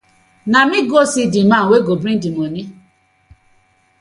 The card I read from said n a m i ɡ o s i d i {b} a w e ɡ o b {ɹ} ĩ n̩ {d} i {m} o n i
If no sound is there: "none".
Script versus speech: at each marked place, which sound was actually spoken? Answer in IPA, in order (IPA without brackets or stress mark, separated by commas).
m, ɾ, d, m